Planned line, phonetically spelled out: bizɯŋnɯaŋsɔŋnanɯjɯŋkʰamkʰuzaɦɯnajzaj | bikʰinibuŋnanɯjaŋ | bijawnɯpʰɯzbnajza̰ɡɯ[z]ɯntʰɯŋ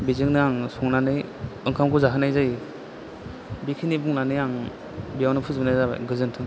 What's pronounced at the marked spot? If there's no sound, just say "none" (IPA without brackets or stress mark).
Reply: z